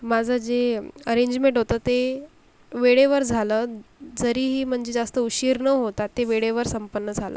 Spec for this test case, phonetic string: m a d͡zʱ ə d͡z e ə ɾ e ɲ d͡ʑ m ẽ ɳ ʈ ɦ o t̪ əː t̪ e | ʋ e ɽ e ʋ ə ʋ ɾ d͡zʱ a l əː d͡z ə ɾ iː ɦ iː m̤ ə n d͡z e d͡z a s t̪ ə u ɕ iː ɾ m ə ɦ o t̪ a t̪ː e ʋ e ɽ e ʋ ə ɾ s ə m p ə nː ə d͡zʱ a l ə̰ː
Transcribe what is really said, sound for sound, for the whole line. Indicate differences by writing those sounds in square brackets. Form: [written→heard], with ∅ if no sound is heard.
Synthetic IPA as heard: m a d͡zʱ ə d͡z e ə ɾ e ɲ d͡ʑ m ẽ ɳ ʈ ɦ o t̪ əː t̪ e | ʋ e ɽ e ʋ ə [ʋ→∅] ɾ d͡zʱ a l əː d͡z ə ɾ iː ɦ iː m̤ ə [n→ɳ] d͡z e d͡z a s t̪ ə u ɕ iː ɾ [m→n] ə ɦ o t̪ a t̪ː e ʋ e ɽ e ʋ ə ɾ s ə m p ə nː ə d͡zʱ a l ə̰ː

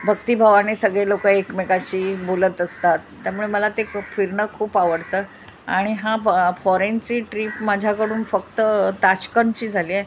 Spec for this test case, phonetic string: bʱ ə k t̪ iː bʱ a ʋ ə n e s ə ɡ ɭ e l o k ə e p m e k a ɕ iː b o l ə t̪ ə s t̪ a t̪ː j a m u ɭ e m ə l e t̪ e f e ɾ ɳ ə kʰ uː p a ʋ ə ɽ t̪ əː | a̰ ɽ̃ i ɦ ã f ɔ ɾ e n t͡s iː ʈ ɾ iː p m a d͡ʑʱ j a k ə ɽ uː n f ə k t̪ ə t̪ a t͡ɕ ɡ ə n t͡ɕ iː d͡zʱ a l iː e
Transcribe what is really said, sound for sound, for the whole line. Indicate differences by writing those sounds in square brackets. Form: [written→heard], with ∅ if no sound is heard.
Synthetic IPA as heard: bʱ ə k t̪ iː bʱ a ʋ [ə→a] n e s ə ɡ ɭ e l o k ə e [p→k] m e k a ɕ iː b o l ə t̪ ə s t̪ a t̪ː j a m u ɭ e m ə l [e→a] t̪ e f [e→i] ɾ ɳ ə kʰ uː p a ʋ ə ɽ t̪ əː | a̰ ɽ̃ i ɦ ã f ɔ ɾ e n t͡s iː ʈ ɾ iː p m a d͡ʑʱ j a k ə ɽ uː n f ə k t̪ ə t̪ a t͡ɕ [ɡ→k] ə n t͡ɕ iː d͡zʱ a l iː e

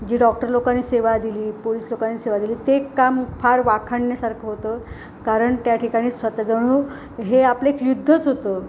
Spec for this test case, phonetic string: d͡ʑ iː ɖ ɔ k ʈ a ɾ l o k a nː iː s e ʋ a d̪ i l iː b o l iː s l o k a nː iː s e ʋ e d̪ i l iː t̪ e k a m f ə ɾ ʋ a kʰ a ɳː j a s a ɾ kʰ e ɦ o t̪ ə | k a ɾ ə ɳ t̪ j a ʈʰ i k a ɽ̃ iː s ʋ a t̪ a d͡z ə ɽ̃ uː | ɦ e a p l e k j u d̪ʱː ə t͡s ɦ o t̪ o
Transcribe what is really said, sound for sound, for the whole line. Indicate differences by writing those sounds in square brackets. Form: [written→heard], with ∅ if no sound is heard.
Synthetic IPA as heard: d͡ʑ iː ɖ ɔ k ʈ [a→ə] ɾ l o k a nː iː s e ʋ a d̪ i l iː [b→p] o l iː s l o k a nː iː s e ʋ [e→a] d̪ i l iː t̪ e k a m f [ə→a] ɾ ʋ a kʰ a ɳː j a s a ɾ kʰ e ɦ o t̪ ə | k a ɾ ə ɳ t̪ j a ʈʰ i k a ɽ̃ iː s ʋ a t̪ a d͡z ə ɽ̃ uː | ɦ e a p l e k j u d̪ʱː ə t͡s ɦ o t̪ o

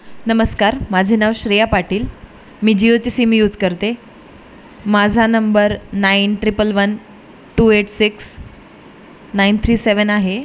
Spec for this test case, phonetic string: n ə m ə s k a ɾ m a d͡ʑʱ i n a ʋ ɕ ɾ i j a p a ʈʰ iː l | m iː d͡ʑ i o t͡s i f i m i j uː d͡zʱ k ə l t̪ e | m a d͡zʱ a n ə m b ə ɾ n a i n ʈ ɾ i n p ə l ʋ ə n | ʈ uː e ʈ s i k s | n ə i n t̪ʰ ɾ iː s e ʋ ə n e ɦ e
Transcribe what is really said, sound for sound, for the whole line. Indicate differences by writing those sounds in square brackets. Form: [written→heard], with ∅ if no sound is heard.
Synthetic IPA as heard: n ə m ə s k a ɾ m a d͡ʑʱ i n a ʋ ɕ ɾ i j a p a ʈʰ iː l | m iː d͡ʑ i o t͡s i [f→s] i m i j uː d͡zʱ k ə [l→ɾ] t̪ e | m a d͡zʱ a n ə m b ə ɾ n a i n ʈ ɾ i [n→∅] p ə l ʋ ə n | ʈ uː e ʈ s i k s | n [ə→a] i n t̪ʰ ɾ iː s e ʋ ə n [e→a] ɦ e

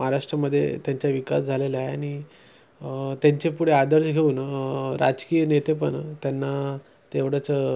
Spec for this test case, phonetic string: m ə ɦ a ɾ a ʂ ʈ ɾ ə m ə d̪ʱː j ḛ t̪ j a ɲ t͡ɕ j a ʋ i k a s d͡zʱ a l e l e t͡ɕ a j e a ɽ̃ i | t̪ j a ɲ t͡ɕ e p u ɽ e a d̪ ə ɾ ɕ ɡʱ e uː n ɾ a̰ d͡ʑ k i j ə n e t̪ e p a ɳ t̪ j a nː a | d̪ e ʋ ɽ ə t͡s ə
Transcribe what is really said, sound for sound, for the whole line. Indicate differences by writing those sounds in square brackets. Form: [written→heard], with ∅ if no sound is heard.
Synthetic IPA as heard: m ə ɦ a ɾ a ʂ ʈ ɾ ə m ə d̪ʱː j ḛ t̪ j a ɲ t͡ɕ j a ʋ i k a s d͡zʱ a l e l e [t͡ɕ→∅] a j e a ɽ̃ i | t̪ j a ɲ t͡ɕ e p u ɽ e a d̪ ə ɾ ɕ ɡʱ e uː n ɾ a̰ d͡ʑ k i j ə n e t̪ e p [a→ə] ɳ t̪ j a nː a | [d̪→t̪] e ʋ ɽ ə t͡s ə

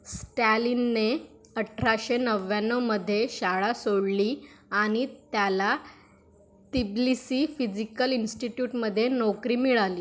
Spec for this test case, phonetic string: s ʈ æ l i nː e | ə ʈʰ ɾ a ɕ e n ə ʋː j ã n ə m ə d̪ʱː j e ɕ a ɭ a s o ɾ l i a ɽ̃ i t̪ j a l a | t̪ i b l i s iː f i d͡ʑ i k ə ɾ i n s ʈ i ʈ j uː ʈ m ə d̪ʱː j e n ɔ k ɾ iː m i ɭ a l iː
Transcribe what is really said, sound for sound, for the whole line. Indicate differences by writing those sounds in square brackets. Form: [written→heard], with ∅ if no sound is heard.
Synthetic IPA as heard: s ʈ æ l i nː e | ə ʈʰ ɾ a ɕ e n ə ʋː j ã n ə m ə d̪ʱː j e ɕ a ɭ a s o [ɾ→ɽ] l i a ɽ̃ i t̪ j a l a | t̪ i b l i s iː f i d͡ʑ i k ə [ɾ→l] i n s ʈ i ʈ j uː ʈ m ə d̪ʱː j e n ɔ k ɾ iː m i ɭ a l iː

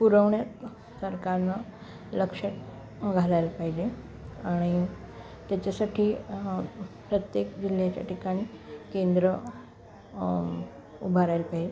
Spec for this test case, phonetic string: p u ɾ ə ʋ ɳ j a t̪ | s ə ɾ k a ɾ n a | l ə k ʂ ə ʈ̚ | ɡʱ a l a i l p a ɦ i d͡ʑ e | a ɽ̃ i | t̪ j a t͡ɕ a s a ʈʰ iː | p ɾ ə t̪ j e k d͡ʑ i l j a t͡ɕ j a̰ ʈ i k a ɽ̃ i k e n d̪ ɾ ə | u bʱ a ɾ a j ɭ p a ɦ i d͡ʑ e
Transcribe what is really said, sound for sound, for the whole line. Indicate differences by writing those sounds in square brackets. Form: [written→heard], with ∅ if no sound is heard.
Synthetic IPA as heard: p u ɾ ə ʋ ɳ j a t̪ | s ə ɾ k a ɾ n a | l ə k ʂ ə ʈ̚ | ɡʱ a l a [i→j] l p a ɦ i d͡ʑ e | a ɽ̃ i | t̪ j a t͡ɕ a s a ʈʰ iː | p ɾ ə t̪ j e k d͡ʑ i l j a t͡ɕ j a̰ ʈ i k a ɽ̃ i k e n d̪ ɾ ə | u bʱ a ɾ a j [ɭ→l] p a ɦ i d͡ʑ e

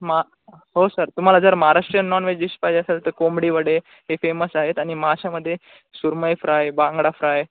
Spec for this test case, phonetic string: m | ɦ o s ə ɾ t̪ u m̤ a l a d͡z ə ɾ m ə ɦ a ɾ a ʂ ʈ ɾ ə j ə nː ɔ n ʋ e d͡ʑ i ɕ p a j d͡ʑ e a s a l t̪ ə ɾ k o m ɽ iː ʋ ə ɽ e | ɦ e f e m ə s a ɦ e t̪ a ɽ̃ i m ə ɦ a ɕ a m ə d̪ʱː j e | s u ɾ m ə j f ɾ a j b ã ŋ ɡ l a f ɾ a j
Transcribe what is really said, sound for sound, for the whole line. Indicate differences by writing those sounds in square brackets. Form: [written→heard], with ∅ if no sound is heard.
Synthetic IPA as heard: m | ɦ o s ə ɾ t̪ u m̤ a l a d͡z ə ɾ m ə ɦ a ɾ a ʂ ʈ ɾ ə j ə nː ɔ n ʋ e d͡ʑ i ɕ p a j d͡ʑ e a s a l t̪ ə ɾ k o m ɽ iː ʋ ə ɽ e | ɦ e f e m ə s a ɦ e t̪ a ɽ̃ i m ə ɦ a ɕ a m ə d̪ʱː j e | s u ɾ m ə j f ɾ a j b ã ŋ ɡ [l→ɽ] a f ɾ a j

